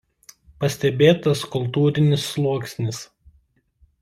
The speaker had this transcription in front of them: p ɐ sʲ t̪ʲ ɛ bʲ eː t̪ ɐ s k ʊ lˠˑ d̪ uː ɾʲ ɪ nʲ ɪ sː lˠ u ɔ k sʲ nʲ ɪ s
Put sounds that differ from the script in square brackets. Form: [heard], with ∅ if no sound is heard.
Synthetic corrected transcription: p ɐ sʲ t̪ʲ ɛ bʲ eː t̪ ɐ s k ʊ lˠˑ [t̪] uː ɾʲ ɪ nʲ ɪ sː lˠ u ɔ k sʲ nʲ ɪ s